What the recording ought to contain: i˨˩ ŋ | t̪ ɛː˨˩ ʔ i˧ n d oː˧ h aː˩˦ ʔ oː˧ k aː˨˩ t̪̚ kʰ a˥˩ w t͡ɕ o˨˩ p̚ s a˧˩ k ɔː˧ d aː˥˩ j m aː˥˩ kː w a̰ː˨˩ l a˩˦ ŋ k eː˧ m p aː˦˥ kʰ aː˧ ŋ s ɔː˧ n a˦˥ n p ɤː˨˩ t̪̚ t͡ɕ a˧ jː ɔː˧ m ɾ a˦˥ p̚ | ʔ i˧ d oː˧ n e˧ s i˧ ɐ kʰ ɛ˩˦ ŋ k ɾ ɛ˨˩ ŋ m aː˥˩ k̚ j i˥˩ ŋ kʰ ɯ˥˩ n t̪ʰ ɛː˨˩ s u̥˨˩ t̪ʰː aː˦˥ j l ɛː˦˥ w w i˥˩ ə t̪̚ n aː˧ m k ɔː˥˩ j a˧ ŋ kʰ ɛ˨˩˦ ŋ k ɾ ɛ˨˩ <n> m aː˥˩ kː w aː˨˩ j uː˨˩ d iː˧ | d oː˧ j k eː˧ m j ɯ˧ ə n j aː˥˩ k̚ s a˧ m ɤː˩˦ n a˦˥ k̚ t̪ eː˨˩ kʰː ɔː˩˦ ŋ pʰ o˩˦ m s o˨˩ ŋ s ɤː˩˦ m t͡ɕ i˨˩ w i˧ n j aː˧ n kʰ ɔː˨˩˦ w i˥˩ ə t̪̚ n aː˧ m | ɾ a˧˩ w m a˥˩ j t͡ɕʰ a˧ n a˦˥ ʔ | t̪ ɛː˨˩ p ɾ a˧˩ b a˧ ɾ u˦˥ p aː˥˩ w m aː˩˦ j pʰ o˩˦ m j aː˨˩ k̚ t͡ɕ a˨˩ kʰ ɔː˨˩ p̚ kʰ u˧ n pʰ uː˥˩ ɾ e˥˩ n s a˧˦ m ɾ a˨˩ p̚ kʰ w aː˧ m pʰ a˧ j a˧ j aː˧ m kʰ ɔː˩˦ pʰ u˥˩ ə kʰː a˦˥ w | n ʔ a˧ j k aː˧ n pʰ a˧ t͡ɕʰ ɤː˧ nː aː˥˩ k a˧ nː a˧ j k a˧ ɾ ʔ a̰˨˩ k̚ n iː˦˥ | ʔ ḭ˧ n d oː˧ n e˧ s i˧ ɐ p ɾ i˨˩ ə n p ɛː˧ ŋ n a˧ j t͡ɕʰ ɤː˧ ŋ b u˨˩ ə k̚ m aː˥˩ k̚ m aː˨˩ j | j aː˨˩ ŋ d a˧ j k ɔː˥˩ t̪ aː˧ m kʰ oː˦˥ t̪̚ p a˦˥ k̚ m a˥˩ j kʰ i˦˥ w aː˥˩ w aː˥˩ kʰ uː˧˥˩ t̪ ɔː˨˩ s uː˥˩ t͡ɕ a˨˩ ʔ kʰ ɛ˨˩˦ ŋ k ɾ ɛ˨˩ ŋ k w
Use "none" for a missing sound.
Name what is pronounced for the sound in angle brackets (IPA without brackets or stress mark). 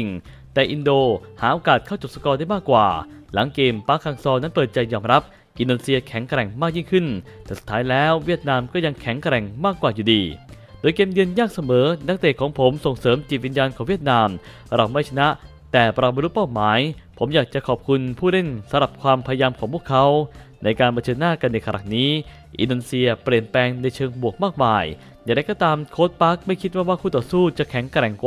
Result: ŋ